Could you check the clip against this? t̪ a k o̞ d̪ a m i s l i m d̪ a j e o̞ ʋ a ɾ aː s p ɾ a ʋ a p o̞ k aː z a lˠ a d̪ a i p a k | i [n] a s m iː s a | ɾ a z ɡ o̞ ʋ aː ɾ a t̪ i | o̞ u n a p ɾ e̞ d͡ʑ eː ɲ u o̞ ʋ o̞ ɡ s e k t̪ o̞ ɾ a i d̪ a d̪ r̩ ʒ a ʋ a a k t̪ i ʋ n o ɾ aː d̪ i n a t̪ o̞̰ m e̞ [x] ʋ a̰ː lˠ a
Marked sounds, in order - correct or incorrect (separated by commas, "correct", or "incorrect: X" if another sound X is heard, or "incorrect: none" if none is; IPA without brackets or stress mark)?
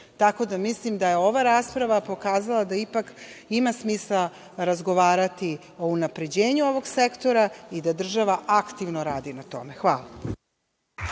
incorrect: m, correct